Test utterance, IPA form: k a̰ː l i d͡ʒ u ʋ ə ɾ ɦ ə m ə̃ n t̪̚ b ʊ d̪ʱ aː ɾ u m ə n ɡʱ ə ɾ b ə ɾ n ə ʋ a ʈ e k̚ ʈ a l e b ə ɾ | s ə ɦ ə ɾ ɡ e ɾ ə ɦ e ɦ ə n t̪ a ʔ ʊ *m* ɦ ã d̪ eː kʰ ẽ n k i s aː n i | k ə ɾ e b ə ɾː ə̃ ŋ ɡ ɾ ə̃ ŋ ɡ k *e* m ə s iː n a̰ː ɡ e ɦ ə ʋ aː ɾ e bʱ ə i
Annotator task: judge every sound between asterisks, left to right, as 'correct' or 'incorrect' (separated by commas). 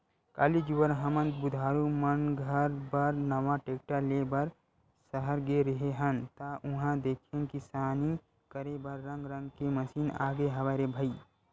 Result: incorrect, correct